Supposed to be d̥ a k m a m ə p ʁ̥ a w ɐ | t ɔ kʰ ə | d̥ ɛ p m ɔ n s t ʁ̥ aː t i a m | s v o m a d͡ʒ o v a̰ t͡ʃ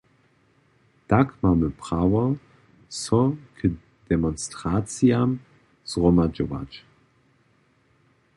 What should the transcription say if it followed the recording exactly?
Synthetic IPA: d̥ a k m a m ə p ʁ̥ a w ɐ | s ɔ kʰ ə | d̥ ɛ m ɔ n s t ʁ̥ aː t͡s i a m | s ʁ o m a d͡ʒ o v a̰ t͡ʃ